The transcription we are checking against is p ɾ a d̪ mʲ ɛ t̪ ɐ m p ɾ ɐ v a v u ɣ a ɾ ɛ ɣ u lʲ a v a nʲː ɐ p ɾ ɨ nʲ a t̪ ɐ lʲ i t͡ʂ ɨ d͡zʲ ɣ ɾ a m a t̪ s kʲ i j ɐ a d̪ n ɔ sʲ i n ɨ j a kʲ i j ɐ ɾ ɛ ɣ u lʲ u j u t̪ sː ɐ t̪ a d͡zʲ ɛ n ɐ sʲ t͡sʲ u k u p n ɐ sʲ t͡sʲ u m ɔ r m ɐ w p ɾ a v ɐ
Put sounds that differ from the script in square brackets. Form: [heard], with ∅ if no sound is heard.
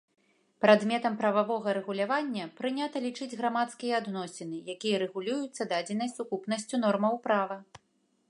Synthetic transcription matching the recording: p ɾ a d̪ mʲ ɛ t̪ ɐ m p ɾ ɐ v a v [ɔ] ɣ [ɐ] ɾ ɛ ɣ u lʲ a v a nʲː ɐ p ɾ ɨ nʲ a t̪ ɐ lʲ i t͡ʂ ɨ d͡zʲ ɣ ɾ a m a t̪ s kʲ i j ɐ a d̪ n ɔ sʲ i n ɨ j a kʲ i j ɐ ɾ ɛ ɣ u lʲ u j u t̪ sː ɐ [d̪] a d͡zʲ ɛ n ɐ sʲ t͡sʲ u k u p n ɐ sʲ t͡sʲ u [n] ɔ r m ɐ w p ɾ a v ɐ